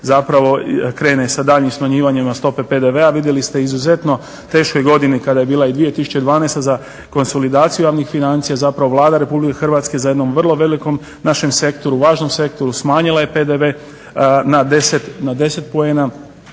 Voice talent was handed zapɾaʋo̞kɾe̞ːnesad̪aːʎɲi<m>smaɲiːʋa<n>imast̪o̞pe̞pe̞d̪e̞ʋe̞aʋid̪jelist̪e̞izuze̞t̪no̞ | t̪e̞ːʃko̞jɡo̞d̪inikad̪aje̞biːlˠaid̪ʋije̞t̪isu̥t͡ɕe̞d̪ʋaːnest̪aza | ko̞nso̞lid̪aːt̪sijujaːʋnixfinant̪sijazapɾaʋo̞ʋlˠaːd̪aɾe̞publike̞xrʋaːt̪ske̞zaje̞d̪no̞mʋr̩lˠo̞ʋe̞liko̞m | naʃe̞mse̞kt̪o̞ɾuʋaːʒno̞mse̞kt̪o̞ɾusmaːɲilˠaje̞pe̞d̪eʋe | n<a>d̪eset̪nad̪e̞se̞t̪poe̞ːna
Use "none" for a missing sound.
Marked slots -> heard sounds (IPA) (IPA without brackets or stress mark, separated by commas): m, ɲ, a